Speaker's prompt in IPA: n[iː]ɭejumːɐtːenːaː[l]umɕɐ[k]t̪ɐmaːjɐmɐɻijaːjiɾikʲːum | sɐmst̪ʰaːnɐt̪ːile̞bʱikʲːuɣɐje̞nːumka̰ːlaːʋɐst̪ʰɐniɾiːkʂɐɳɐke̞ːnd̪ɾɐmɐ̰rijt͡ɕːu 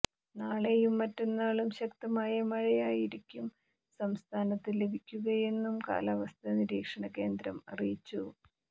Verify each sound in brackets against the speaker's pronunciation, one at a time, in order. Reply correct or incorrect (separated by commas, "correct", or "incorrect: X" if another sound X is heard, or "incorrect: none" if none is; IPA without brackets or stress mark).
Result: incorrect: aː, incorrect: ɭ, correct